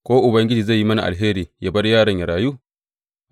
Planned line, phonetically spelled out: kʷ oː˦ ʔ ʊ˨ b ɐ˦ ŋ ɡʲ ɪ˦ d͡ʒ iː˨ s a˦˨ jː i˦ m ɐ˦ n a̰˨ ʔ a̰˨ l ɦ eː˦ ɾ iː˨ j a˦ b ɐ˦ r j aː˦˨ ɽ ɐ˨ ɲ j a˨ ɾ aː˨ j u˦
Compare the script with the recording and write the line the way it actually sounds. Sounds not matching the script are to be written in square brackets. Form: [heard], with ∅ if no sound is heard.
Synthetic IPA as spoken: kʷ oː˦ ʔ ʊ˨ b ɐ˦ ŋ ɡʲ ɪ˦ d͡ʒ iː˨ [z] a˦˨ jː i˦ m ɐ˦ n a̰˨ ʔ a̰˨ l ɦ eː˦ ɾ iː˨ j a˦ b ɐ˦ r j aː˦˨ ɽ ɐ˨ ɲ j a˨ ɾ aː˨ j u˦

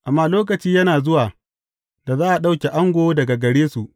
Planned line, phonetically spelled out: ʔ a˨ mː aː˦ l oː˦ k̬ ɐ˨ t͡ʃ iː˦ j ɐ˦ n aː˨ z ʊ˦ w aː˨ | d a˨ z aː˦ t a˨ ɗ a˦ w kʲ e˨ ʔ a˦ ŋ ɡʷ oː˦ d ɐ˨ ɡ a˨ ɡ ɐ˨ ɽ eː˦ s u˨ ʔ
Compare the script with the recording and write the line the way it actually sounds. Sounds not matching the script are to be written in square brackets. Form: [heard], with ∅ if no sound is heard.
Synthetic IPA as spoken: ʔ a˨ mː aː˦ l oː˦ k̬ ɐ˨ t͡ʃ iː˦ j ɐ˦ n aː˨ z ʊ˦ w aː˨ | d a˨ z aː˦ [ʔ] a˨ ɗ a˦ w kʲ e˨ ʔ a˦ ŋ ɡʷ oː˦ d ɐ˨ ɡ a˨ ɡ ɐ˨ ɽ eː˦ s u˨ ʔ

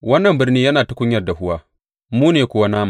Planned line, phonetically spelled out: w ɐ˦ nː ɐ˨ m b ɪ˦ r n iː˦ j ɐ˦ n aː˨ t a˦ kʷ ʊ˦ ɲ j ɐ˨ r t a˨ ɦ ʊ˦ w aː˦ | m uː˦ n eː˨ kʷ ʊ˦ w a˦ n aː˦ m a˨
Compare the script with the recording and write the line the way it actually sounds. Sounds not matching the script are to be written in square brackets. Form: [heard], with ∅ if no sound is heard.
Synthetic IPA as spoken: w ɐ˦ nː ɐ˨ m b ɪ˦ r n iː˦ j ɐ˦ n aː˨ t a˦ kʷ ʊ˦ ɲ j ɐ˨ r [d] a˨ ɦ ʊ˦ w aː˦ | m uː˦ n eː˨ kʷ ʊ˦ w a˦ n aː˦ m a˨

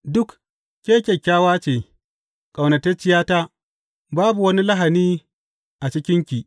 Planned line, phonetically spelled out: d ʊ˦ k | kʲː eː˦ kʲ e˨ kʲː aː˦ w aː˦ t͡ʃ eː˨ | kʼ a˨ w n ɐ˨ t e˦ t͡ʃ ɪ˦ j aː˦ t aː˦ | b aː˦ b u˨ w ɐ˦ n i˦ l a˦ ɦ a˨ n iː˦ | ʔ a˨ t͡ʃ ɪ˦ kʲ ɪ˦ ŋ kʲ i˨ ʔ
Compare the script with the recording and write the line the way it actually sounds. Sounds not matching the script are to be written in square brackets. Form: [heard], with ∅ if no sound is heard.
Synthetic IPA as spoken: d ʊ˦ k | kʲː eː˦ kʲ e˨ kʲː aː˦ w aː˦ t͡ʃ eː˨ | kʼ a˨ w n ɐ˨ t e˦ t͡ʃ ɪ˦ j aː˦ t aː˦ | b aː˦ b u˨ w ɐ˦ n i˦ l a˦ ɦ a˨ n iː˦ | ʔ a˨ t͡ʃ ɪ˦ kʲ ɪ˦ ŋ kʲ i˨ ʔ

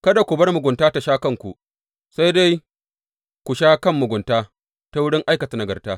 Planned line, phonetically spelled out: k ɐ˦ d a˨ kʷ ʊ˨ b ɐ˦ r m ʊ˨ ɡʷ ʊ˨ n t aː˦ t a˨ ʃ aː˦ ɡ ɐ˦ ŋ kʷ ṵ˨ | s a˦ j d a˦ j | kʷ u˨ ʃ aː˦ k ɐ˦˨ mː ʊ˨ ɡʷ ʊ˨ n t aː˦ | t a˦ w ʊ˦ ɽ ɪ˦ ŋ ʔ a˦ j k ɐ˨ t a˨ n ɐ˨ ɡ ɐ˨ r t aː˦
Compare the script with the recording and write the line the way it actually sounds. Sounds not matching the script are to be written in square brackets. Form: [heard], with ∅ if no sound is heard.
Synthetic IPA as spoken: k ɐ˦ d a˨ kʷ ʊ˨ b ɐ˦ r m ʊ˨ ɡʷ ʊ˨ n t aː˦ t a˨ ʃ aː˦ [k] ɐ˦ ŋ kʷ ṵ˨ | s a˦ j d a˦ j | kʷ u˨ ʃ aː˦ k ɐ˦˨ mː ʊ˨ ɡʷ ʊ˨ n t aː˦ | t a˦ w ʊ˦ ɽ ɪ˦ ŋ ʔ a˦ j k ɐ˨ t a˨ n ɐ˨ ɡ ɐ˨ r t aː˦

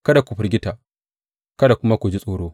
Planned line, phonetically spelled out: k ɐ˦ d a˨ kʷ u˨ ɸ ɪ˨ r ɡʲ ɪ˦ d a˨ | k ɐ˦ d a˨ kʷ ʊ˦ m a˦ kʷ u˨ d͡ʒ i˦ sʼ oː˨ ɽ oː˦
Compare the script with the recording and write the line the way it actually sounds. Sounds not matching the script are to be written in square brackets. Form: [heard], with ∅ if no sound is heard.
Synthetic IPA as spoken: k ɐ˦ d a˨ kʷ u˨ ɸ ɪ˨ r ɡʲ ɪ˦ [t] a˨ | k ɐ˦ d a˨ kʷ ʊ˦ m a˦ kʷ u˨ d͡ʒ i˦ sʼ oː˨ ɽ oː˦

